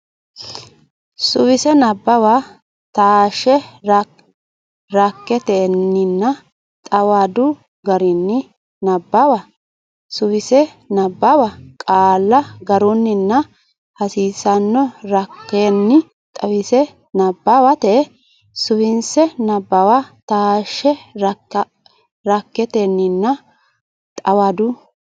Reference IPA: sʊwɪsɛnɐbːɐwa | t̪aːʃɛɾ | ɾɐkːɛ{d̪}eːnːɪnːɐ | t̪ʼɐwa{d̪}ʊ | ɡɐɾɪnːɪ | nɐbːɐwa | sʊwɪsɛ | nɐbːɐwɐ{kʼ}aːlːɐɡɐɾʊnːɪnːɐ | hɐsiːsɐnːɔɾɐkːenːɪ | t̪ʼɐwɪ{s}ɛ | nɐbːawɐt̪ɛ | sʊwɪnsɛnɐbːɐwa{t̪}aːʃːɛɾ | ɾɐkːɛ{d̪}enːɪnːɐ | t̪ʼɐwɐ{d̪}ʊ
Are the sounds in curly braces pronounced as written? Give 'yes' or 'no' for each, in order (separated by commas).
no, yes, yes, yes, yes, no, yes